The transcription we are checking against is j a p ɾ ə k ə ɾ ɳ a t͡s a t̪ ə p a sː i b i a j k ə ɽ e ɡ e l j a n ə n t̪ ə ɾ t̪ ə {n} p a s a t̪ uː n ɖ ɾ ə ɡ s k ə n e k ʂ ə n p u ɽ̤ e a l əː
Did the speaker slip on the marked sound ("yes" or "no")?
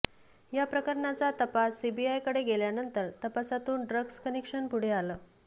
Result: yes